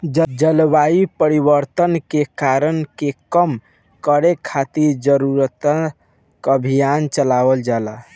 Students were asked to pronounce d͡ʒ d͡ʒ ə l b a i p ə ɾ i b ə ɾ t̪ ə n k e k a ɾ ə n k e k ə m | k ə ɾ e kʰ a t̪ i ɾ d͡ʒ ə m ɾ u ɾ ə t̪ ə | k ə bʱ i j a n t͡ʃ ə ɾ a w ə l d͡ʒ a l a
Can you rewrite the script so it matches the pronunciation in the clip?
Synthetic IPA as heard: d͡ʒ d͡ʒ ə l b a i p ə ɾ i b ə ɾ t̪ ə n k e k a ɾ ə n k e k ə m | k ə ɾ e kʰ a t̪ i ɾ d͡ʒ ə ɾ u ɾ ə t̪ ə | k ə bʱ i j a n t͡ʃ ə l a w ə l d͡ʒ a l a